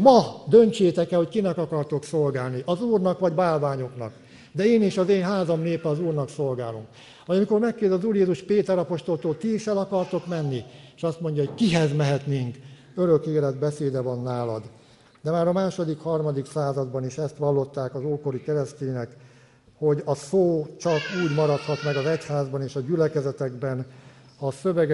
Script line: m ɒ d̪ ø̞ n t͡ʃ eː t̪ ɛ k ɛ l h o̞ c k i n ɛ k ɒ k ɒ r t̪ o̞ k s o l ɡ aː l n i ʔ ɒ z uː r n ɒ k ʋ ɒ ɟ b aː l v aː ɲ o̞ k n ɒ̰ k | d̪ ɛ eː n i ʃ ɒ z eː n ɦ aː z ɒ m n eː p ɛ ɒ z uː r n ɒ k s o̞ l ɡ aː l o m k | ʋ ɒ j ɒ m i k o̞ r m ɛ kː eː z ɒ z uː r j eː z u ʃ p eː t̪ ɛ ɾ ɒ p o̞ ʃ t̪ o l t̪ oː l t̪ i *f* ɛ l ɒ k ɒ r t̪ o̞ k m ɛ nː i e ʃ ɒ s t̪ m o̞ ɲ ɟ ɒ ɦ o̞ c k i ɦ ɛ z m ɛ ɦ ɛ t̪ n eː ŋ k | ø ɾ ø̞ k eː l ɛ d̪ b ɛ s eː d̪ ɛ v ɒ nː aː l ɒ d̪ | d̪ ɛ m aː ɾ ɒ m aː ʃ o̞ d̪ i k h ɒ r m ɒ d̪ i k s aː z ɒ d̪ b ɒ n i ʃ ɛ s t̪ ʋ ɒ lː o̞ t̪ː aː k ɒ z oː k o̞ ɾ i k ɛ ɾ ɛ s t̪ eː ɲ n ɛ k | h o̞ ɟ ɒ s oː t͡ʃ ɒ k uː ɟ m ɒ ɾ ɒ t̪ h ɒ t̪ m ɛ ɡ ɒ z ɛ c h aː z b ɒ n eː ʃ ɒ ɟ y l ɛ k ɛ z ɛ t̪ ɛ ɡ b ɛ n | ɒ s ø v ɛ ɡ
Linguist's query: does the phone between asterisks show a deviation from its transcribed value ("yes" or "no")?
yes